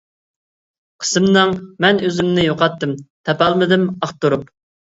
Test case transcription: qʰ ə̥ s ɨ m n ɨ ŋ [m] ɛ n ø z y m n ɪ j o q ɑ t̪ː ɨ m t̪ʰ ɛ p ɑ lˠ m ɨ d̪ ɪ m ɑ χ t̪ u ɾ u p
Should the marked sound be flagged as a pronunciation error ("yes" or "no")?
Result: no